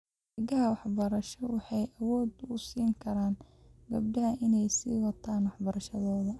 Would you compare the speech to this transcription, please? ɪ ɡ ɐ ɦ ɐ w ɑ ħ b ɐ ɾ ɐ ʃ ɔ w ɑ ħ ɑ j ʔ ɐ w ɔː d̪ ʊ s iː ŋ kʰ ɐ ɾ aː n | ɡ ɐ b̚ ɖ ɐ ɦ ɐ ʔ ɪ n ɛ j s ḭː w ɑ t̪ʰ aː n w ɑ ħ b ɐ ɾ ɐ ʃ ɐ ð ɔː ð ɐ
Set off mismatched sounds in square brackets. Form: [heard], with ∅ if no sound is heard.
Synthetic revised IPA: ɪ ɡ ɐ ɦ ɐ w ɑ ħ b ɐ ɾ ɐ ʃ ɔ w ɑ ħ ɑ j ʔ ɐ w ɔː d̪ ʊ s iː ŋ kʰ ɐ ɾ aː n | ɡ ɐ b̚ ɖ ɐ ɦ ɐ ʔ ɪ n ɛ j s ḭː w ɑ t̪ʰ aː n w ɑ ħ b ɐ ɾ ɐ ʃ ɐ ð ɔː ð ɐ